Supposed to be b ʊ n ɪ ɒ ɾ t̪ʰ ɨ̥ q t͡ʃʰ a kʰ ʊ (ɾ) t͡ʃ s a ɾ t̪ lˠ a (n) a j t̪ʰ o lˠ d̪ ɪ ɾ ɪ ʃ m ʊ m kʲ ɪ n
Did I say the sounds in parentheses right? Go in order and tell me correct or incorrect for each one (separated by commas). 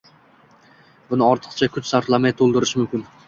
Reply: incorrect, incorrect